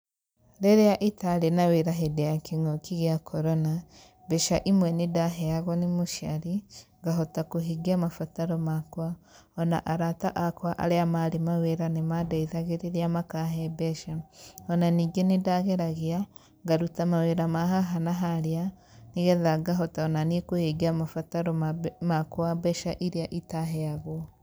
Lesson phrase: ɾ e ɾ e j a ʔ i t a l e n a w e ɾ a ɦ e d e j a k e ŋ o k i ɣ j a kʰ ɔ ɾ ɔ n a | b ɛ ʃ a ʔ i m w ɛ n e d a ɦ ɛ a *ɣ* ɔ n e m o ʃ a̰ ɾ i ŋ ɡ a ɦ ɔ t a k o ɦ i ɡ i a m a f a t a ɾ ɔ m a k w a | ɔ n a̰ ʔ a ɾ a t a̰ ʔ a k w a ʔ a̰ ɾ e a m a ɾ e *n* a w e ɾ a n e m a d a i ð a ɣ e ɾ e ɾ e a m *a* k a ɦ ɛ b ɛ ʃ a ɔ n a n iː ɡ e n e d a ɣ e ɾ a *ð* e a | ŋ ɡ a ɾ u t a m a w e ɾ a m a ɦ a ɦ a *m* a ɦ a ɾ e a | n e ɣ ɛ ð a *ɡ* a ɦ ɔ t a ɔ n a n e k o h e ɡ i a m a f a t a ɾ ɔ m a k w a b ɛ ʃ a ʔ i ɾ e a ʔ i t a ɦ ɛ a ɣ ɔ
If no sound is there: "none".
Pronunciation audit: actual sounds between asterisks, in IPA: ɣ, m, a, ɣ, n, ɡ

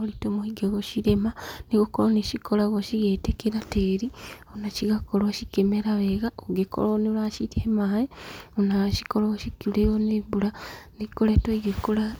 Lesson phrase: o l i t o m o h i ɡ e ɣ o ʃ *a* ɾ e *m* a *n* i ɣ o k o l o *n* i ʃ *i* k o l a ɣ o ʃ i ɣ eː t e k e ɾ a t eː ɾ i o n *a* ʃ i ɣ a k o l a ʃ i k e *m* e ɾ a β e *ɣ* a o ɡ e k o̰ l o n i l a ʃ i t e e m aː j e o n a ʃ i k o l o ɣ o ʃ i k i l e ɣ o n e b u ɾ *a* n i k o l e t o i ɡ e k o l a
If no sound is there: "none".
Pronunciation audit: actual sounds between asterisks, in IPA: i, m, n, n, i, a, m, ɣ, a

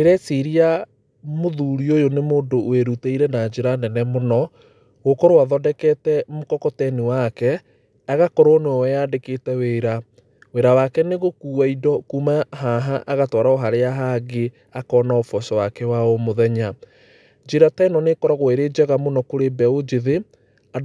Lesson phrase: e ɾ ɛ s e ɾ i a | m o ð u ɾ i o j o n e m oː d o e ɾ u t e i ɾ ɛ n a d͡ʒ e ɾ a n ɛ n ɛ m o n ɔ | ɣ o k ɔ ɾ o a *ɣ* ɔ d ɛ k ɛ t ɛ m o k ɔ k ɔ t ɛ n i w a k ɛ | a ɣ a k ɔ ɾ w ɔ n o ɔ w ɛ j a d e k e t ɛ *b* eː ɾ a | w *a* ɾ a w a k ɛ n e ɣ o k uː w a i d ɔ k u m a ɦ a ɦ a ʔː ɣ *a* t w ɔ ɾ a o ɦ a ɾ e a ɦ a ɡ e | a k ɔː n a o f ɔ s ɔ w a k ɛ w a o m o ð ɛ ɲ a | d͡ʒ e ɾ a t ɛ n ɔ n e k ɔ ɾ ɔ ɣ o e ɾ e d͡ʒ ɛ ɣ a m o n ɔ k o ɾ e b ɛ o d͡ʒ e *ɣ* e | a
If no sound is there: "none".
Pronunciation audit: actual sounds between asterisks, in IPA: ð, w, e, a, ð

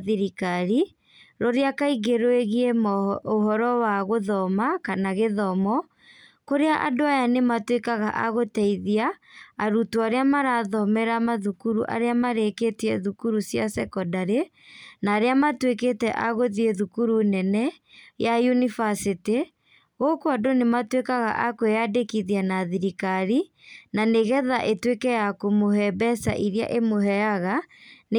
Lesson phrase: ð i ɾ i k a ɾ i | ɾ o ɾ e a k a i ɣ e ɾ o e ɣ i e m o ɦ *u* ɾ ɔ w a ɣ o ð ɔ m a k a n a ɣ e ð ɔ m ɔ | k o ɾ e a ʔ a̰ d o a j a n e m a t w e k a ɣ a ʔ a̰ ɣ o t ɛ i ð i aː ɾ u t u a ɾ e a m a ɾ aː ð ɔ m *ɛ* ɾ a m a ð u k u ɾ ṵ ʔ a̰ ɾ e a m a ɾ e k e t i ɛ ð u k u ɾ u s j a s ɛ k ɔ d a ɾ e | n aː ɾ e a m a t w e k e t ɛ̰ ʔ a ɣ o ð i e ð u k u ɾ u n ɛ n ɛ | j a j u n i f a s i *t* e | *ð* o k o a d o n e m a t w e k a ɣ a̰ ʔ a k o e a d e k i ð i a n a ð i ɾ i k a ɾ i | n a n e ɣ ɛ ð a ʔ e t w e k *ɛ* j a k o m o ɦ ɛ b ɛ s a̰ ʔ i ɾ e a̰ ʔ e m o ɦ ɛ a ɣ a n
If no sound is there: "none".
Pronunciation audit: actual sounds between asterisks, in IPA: ɔ, ɛ, t, ɣ, ɛ

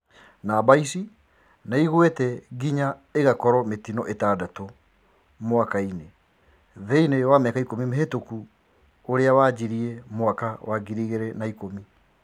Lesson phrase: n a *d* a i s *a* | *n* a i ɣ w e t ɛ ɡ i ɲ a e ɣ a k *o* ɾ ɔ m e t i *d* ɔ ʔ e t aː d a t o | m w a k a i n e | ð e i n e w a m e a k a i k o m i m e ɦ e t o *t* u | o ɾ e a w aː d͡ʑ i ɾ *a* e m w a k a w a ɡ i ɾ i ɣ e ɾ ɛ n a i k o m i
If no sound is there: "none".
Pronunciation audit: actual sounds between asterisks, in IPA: b, i, n, ɔ, n, k, i

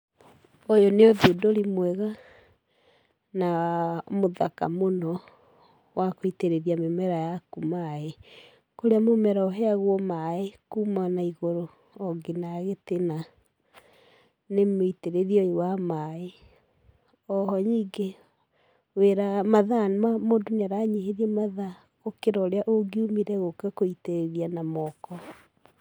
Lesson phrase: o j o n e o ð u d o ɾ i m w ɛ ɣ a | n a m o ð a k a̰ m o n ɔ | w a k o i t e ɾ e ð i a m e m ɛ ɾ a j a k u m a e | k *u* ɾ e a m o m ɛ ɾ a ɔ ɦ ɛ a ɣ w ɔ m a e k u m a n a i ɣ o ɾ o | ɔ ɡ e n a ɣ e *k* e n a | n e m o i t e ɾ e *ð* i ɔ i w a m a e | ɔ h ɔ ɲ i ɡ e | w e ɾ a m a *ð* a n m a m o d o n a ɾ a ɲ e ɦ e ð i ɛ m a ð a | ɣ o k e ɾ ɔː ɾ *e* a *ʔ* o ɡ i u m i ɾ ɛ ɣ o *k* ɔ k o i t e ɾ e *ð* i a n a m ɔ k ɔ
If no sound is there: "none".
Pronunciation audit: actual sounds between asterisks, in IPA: o, t, ð, ð, e, ʔ, k, ð

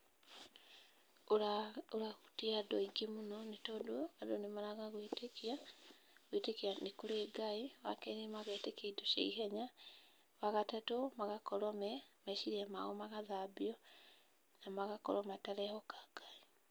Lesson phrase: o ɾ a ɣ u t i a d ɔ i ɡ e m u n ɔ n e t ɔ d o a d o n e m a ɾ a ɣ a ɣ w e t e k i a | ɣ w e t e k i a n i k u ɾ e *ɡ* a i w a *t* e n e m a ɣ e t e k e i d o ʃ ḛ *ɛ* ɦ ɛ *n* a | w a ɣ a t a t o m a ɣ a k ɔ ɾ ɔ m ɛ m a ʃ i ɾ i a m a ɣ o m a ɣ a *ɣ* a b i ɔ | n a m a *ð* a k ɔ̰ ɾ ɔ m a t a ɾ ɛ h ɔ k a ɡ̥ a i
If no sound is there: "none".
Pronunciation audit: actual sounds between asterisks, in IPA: ɡ, k, i, ɲ, ð, ɣ

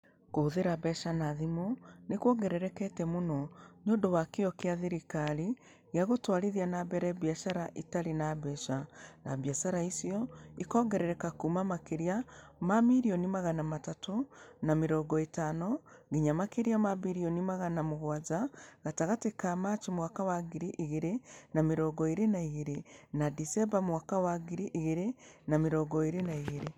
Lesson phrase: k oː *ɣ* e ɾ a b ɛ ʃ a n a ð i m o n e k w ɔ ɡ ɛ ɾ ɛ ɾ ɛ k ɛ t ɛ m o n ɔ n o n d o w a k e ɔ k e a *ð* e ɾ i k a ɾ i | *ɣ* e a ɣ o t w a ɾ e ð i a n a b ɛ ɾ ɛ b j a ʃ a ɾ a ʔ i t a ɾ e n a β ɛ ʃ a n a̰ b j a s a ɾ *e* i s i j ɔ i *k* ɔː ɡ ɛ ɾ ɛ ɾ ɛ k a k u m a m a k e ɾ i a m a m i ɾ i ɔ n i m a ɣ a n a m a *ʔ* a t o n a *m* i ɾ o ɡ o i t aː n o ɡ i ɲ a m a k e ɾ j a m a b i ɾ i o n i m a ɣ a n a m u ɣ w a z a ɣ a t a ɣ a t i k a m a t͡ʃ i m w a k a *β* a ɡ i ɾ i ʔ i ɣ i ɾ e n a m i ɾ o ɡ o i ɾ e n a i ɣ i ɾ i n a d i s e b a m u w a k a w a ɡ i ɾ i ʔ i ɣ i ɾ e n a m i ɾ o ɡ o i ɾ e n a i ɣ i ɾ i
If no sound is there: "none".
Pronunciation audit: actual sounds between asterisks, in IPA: ð, ð, ɣ, a, k, t, m, w

